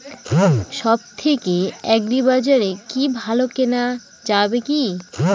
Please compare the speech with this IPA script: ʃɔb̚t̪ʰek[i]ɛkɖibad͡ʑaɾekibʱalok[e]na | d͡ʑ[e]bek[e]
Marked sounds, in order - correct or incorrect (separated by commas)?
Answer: incorrect, correct, incorrect, incorrect